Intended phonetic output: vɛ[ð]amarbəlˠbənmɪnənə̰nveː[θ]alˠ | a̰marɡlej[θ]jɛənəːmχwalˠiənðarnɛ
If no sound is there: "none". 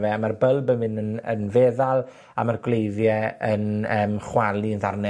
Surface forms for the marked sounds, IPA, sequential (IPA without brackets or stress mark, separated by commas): none, ð, ð